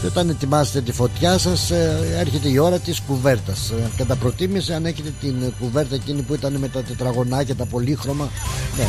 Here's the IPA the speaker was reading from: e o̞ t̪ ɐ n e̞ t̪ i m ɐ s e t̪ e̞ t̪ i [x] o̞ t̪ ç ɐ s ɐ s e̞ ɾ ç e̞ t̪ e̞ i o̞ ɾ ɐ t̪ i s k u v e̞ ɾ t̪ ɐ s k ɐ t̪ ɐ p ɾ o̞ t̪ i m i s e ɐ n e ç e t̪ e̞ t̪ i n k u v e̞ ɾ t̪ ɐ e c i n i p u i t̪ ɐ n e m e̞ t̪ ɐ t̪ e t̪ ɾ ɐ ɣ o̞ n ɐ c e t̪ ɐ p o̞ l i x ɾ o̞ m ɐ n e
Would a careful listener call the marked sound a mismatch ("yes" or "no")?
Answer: yes